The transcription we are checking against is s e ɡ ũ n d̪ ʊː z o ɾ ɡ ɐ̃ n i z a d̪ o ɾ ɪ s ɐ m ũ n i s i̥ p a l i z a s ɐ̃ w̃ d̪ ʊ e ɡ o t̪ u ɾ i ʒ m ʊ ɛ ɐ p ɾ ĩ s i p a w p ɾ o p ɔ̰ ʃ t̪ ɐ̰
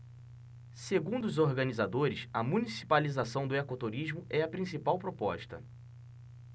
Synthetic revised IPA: s e ɡ ũ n d̪ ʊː z o ɾ ɡ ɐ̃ n i z a d̪ o ɾ ɪ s ɐ m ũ n i s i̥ p a l i z a s ɐ̃ w̃ d̪ ʊ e k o t̪ u ɾ i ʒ m ʊ ɛ ɐ p ɾ ĩ s i p a w p ɾ o p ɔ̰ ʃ t̪ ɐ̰